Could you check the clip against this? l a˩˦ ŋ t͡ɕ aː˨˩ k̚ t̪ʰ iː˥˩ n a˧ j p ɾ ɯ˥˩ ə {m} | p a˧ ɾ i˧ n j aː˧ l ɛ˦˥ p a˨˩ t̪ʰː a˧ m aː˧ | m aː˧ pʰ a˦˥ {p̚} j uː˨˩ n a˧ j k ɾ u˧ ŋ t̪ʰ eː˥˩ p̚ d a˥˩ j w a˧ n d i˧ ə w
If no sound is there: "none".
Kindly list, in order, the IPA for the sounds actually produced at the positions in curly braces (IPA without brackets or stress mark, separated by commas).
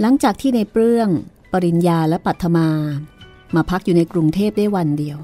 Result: ŋ, k̚